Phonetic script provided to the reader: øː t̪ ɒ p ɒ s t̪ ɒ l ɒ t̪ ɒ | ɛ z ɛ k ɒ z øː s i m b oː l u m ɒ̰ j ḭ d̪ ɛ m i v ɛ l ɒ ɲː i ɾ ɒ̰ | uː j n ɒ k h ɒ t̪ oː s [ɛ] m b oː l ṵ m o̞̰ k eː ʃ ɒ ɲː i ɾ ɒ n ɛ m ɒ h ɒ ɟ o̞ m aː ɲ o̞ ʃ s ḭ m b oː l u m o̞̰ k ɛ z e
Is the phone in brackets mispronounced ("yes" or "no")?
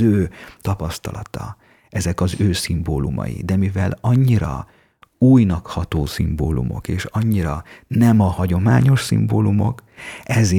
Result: yes